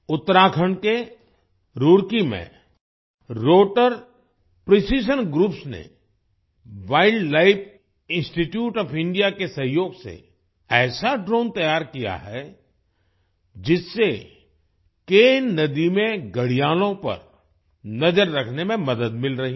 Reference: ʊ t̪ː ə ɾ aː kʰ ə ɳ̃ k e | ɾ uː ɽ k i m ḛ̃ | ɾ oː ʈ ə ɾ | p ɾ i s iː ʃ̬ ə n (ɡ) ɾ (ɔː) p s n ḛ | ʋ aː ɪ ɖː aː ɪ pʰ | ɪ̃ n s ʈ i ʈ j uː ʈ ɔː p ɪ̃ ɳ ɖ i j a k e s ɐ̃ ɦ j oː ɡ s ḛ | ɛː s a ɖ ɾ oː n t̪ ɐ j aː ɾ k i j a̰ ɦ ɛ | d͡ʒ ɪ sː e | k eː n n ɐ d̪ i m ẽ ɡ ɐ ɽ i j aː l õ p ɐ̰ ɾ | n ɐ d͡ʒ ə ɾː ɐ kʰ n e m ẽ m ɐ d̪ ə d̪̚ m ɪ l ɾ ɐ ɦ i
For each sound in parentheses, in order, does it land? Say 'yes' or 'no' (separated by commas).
yes, no